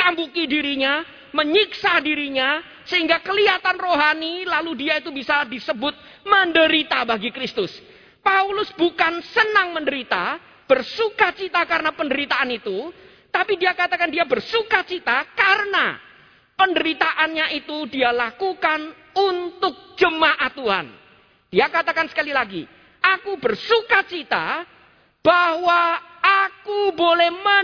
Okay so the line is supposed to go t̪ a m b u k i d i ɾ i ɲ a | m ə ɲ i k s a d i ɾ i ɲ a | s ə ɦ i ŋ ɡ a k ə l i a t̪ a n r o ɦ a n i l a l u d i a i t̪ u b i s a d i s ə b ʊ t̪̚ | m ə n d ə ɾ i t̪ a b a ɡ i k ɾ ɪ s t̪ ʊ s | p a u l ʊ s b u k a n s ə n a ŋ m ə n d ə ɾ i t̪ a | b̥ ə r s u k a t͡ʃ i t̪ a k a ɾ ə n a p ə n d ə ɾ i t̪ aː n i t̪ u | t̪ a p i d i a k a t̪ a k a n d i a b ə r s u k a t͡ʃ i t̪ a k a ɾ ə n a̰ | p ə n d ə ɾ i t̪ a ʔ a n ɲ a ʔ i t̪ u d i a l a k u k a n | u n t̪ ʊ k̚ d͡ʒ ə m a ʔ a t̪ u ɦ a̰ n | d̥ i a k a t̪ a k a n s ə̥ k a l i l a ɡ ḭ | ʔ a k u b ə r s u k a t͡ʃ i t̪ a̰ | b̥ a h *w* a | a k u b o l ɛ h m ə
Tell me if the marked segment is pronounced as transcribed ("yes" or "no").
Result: yes